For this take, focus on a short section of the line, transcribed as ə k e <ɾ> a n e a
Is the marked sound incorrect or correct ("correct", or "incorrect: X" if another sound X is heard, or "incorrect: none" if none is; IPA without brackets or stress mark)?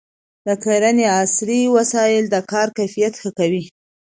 correct